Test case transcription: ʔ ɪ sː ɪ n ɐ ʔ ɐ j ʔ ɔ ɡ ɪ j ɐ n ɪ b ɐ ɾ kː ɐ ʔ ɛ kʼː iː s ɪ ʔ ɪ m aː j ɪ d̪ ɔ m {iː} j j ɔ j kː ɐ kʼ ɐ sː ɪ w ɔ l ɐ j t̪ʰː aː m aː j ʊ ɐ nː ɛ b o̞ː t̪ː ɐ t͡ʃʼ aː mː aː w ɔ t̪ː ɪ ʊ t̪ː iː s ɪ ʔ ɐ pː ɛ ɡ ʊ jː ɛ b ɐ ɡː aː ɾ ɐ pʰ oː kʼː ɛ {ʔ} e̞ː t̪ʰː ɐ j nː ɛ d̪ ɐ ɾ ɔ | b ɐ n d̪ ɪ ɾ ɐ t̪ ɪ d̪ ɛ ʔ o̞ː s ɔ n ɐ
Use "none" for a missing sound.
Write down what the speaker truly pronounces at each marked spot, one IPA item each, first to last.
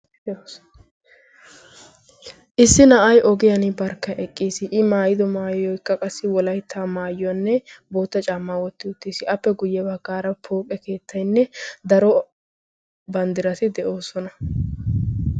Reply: aː, k

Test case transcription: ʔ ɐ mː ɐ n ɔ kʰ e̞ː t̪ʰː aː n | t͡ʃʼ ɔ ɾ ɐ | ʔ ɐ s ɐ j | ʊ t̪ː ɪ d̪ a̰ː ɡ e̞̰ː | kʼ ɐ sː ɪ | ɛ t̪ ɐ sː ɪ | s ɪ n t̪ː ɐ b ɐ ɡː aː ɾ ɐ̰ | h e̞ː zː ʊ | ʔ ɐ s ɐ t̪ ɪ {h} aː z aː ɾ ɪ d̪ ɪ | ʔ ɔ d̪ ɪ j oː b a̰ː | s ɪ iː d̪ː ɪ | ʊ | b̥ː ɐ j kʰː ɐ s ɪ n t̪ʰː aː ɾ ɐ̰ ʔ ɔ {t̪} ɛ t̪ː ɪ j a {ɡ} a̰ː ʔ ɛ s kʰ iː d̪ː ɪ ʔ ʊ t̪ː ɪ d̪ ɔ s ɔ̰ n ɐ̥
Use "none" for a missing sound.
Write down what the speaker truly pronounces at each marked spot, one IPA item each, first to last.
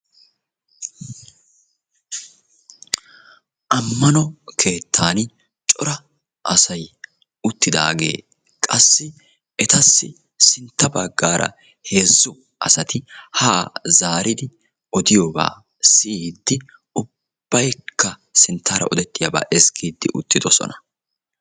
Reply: h, d̪, b

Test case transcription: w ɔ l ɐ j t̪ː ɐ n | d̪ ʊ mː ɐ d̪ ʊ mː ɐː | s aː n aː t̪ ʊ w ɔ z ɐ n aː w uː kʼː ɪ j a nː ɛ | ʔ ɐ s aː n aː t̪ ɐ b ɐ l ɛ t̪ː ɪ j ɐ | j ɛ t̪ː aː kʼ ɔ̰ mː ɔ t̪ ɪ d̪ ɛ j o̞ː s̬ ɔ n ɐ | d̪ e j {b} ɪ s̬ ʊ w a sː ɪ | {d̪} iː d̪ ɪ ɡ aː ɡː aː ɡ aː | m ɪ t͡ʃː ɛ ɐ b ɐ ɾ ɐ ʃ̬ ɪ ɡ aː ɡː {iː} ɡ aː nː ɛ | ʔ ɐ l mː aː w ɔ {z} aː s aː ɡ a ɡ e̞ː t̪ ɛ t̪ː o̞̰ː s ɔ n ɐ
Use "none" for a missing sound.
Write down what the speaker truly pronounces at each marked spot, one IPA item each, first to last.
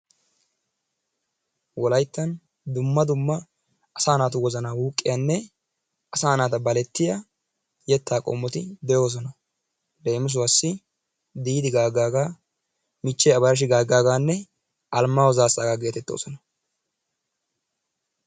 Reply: m, d̪, aː, z

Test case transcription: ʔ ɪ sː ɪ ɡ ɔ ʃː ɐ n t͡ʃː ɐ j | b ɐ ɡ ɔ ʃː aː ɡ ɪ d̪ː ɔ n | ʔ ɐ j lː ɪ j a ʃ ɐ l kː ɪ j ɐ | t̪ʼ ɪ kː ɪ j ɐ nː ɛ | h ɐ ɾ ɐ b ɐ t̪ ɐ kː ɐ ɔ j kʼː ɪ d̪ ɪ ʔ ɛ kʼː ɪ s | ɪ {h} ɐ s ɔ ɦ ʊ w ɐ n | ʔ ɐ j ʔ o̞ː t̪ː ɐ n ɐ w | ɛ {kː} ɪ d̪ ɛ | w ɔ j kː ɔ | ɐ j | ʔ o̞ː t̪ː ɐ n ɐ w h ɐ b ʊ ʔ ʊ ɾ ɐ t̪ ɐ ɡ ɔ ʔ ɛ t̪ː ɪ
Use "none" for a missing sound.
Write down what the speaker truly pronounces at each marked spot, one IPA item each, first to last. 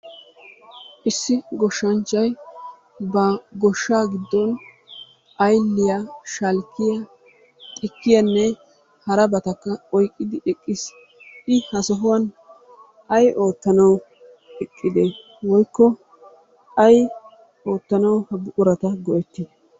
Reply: h, kʼː

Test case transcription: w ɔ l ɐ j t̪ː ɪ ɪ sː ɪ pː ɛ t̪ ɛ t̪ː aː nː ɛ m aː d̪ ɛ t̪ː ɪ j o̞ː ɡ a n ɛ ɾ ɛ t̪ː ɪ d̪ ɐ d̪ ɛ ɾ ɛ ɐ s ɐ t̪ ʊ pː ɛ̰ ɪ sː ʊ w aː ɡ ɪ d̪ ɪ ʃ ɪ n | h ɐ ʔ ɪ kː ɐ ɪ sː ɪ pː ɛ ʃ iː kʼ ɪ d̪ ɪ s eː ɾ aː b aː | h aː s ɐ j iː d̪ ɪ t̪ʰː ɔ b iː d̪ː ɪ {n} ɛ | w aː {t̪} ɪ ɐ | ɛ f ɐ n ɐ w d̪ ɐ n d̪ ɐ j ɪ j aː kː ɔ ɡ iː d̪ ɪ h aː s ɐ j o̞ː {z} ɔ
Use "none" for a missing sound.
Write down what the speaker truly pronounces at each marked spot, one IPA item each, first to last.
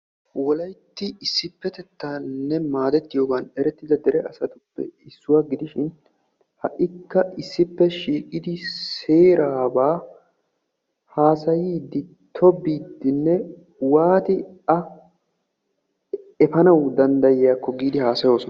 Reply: nː, t̪, s

